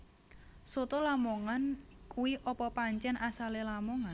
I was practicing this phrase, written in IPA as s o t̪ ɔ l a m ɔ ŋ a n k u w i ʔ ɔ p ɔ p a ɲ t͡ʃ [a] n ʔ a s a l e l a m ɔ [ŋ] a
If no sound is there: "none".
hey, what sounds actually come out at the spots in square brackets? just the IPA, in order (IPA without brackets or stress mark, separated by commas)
ɛ, ŋ